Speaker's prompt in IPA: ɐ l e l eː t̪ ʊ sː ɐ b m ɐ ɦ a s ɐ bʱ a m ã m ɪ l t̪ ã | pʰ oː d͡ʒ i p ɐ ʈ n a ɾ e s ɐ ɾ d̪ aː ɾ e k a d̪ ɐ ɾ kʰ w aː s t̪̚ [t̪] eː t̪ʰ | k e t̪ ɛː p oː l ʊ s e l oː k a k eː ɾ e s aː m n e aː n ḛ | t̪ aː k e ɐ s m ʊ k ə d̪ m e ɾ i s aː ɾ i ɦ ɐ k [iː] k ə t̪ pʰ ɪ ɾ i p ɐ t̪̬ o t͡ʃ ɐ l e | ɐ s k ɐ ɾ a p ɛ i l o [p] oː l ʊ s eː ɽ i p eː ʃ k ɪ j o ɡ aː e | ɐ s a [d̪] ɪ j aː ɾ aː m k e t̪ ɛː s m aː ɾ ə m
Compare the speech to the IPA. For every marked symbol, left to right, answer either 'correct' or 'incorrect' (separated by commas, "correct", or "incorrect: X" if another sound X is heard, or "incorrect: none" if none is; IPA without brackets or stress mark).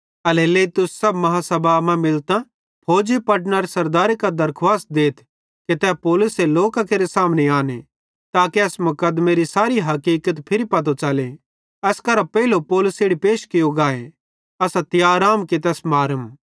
incorrect: d̪, correct, correct, incorrect: t̪